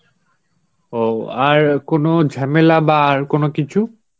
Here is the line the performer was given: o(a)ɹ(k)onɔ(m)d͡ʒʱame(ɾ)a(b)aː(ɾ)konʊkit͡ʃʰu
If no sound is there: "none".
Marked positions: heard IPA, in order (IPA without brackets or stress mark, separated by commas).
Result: a, k, none, l, b, ɹ